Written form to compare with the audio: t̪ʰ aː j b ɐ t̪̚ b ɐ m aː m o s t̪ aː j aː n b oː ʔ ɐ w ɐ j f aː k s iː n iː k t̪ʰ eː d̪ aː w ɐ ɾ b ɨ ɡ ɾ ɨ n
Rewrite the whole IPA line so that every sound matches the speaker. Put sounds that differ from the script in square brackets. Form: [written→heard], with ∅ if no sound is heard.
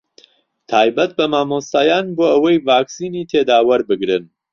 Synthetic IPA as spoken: t̪ʰ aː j b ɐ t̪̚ b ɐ m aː m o s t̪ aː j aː n b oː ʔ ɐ w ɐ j [f→v] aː k s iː n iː [k→∅] t̪ʰ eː d̪ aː w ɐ ɾ b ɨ ɡ ɾ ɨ n